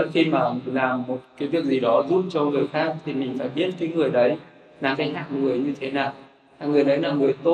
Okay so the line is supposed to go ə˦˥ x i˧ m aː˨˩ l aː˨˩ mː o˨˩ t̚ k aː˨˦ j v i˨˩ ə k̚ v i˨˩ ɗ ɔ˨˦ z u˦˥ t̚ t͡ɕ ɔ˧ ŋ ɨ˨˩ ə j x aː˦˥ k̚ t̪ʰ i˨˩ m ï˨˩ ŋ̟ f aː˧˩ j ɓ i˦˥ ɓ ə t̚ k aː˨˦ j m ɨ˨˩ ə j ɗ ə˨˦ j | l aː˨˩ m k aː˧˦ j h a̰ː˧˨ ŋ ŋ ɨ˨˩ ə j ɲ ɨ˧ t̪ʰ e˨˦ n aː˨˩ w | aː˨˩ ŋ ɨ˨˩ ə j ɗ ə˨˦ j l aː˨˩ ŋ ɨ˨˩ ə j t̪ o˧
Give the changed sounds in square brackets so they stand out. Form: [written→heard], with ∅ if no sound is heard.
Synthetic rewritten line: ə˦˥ x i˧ m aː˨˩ l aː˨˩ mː o˨˩ t̚ k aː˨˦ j v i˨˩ ə k̚ [v→z] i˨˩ ɗ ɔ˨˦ z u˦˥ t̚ t͡ɕ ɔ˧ ŋ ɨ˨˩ ə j x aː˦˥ k̚ t̪ʰ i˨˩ m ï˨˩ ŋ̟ f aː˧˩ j ɓ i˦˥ [ɓ→∅] ə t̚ k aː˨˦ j [m→ŋ] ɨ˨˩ ə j ɗ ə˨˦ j | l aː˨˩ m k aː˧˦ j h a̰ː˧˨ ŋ ŋ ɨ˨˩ ə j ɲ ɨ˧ t̪ʰ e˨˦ n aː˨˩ w | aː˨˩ ŋ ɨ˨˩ ə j ɗ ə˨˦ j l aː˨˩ ŋ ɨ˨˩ ə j t̪ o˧